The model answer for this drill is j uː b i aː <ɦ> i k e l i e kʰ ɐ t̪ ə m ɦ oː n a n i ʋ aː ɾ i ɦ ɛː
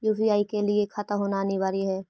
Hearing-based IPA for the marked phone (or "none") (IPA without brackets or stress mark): none